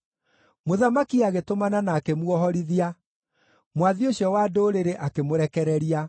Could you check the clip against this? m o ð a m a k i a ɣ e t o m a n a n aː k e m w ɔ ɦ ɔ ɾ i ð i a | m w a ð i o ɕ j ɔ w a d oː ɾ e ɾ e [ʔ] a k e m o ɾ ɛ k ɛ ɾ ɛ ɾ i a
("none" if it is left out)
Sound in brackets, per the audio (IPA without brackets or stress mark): ʔ